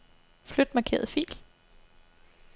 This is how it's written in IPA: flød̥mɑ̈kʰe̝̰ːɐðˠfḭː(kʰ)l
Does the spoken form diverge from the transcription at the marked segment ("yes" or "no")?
yes